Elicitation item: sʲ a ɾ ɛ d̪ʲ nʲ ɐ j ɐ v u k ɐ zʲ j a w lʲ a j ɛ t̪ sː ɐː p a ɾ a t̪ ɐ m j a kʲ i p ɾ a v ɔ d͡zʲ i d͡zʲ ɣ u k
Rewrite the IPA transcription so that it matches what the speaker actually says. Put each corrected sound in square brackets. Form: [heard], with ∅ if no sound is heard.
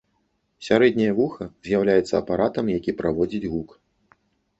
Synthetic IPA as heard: sʲ a ɾ ɛ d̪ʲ nʲ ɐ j ɐ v u [x] ɐ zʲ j a w lʲ a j ɛ t̪ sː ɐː p a ɾ a t̪ ɐ m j a kʲ i p ɾ a v ɔ d͡zʲ i d͡zʲ ɣ u k